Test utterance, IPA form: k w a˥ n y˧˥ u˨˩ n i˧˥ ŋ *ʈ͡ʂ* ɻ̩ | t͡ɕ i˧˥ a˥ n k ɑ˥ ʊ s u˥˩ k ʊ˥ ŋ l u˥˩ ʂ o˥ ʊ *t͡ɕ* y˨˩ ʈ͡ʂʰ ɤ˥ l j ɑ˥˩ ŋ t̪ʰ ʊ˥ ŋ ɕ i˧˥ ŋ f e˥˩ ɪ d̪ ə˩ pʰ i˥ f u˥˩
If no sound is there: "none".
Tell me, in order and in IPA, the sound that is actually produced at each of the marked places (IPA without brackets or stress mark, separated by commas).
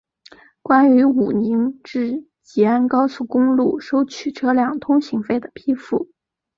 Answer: ʈ͡ʂ, t͡ɕʰ